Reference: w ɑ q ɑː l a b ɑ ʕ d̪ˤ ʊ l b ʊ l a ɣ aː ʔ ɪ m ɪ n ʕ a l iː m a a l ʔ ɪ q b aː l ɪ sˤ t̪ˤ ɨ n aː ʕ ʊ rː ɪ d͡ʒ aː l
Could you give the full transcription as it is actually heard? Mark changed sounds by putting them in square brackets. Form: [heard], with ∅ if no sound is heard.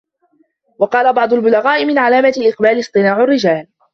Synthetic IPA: w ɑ q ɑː l a b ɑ ʕ d̪ˤ ʊ l b ʊ l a ɣ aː ʔ ɪ m ɪ n ʕ a l [aː] m a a l ʔ ɪ q b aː l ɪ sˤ t̪ˤ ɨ n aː ʕ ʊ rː ɪ d͡ʒ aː l